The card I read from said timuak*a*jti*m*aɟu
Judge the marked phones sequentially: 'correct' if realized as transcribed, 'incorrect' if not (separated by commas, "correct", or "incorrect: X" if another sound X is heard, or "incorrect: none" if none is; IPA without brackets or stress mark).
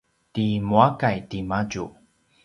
correct, correct